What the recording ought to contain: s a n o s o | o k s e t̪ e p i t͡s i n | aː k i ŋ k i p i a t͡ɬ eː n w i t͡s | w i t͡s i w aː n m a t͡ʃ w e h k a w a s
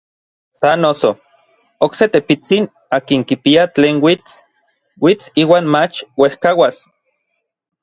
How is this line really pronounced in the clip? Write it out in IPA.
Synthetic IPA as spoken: s a n o s o | o k s e t̪ e p i t͡s i n | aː k i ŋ k i p i a t͡ɬ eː n w i t͡s | w i t͡s iː w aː n m a t͡ʃ w e h k a w a s